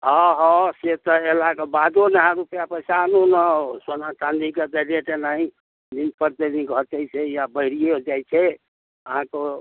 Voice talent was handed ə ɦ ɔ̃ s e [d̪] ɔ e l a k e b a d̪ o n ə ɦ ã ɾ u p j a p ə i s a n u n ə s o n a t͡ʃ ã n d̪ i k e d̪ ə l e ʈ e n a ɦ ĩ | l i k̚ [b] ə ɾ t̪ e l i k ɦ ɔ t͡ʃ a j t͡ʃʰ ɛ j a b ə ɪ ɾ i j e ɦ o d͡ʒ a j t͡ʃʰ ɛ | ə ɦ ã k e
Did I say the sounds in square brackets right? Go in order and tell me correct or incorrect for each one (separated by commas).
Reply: incorrect, incorrect